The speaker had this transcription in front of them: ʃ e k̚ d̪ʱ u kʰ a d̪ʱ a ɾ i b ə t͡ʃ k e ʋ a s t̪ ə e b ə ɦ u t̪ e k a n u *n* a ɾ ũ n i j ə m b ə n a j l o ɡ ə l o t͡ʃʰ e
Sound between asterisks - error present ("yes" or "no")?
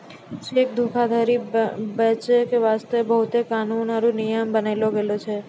no